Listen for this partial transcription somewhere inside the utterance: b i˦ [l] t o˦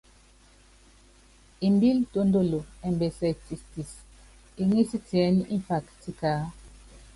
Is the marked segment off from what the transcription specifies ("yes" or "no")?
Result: no